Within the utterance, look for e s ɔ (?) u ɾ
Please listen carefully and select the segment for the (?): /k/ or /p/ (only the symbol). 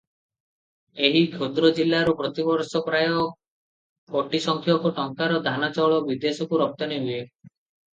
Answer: k